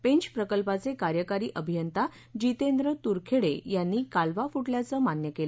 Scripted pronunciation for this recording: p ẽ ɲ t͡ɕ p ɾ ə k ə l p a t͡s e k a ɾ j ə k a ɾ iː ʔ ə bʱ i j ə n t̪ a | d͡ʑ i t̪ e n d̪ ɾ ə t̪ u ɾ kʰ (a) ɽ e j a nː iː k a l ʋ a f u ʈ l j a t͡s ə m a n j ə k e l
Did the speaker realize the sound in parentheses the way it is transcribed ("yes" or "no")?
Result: no